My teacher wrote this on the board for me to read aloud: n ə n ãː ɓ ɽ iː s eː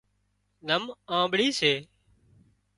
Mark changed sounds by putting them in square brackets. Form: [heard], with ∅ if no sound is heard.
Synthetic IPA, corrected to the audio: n ə [m] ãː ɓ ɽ iː s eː